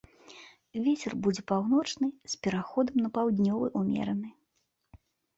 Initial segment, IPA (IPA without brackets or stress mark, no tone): vʲ